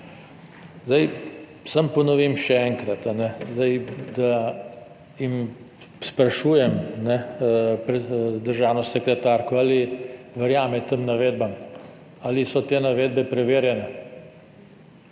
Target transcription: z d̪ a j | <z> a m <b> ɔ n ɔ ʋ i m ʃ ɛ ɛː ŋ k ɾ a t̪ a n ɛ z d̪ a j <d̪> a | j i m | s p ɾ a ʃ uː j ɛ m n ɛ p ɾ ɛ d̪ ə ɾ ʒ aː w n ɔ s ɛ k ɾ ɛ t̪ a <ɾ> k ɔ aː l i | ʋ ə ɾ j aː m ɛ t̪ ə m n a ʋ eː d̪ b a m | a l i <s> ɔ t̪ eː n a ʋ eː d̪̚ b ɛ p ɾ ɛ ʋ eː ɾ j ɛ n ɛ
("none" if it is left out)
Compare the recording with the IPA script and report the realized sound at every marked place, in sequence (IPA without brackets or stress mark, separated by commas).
s, p, d̪, ɾ, s